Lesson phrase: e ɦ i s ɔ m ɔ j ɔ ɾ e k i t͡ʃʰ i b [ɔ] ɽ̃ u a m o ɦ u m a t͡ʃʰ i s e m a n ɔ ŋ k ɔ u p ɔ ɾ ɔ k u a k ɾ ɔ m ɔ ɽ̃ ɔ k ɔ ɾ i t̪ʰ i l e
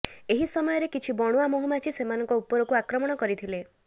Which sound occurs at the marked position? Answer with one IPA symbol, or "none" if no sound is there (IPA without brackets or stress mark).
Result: ɔ